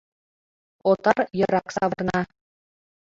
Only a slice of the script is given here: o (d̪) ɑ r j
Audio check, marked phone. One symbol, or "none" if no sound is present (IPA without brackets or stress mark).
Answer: t̪